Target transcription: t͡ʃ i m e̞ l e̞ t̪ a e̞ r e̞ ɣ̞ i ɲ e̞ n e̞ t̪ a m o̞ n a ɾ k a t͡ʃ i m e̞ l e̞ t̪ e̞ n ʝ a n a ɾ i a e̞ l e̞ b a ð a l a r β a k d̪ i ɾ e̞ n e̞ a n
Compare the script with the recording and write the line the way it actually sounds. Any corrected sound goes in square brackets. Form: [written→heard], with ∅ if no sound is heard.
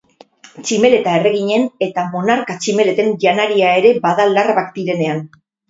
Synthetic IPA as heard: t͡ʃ i m e̞ l e̞ t̪ a e̞ r e̞ ɣ̞ i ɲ e̞ n e̞ t̪ a m o̞ n a ɾ k a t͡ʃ i m e̞ l e̞ t̪ e̞ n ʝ a n a ɾ i a e̞ [l→ɾ] e̞ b a ð a l a r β a k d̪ i ɾ e̞ n e̞ a n